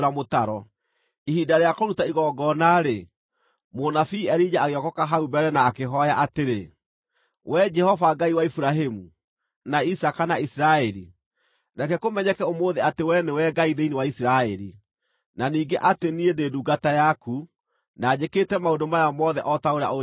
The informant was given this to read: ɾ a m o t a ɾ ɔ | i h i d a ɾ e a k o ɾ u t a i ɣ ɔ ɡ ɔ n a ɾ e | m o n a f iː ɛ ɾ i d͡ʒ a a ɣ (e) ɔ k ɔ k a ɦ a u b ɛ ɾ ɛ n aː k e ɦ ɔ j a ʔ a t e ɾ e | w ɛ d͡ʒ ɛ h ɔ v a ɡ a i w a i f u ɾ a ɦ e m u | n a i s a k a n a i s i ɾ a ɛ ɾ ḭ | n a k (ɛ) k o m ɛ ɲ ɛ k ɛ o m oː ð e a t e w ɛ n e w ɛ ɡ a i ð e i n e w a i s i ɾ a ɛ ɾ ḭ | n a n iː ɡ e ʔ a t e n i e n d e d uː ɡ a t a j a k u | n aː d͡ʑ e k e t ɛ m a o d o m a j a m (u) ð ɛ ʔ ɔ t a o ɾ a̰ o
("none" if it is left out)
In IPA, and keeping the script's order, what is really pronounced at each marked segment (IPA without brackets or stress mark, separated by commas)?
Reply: e, ɛ, ɔ